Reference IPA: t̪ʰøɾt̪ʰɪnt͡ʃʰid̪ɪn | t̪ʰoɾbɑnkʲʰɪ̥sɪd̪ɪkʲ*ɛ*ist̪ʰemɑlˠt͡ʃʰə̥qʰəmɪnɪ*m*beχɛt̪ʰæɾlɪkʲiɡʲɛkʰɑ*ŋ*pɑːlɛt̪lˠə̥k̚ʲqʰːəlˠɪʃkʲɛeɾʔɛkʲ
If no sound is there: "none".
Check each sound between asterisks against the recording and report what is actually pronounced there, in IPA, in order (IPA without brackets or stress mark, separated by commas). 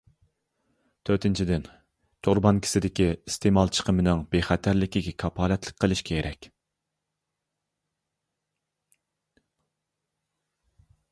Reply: i, ŋ, none